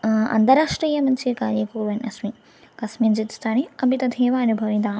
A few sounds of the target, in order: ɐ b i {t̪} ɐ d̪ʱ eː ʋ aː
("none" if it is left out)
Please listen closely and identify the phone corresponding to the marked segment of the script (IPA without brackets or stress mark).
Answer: t̪